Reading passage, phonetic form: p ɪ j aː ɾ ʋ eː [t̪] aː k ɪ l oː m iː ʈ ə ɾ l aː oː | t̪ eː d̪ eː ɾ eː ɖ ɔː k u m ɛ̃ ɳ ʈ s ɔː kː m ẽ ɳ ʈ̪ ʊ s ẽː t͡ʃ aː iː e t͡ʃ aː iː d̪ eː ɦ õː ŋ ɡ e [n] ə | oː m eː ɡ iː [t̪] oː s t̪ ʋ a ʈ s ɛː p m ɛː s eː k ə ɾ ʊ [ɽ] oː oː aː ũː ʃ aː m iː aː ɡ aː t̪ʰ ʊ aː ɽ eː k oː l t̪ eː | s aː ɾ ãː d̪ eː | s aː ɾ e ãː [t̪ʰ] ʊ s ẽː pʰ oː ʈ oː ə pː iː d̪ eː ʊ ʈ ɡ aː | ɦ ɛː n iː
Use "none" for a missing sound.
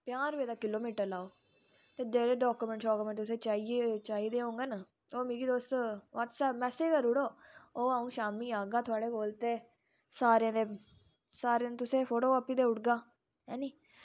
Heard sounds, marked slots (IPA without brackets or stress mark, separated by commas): d̪, n, d̪, ɽ, t̪